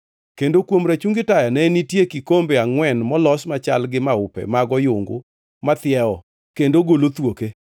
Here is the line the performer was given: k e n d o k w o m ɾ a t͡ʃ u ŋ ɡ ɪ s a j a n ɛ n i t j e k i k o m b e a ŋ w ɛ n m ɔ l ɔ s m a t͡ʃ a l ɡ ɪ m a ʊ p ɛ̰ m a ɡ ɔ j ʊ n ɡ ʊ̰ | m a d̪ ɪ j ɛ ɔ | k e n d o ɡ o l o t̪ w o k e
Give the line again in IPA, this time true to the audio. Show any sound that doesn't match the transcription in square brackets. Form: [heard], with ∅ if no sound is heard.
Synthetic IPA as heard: k e n d o k w o m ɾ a t͡ʃ u ŋ ɡ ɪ [t] a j a n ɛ n i t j e k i k o m b e a ŋ w ɛ n m ɔ l ɔ s m a t͡ʃ a l ɡ ɪ m a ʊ p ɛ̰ m a ɡ ɔ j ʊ [ŋ] ɡ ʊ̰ | m a [t̪] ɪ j ɛ ɔ | k e n d o ɡ o l o t̪ w o k e